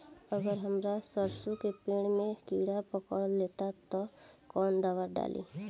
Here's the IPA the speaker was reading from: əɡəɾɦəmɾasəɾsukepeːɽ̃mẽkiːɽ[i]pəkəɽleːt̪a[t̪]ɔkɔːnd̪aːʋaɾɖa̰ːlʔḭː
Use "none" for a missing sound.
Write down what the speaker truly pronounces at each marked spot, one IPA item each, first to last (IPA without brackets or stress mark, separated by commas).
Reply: a, t̪